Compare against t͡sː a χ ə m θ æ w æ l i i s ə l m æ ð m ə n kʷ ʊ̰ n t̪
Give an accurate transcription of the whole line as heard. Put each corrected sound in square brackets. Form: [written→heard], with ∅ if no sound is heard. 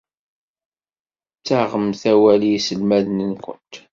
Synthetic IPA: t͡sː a [χ→ʁ] ə m θ æ w æ l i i s ə l m æ ð [m→n] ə n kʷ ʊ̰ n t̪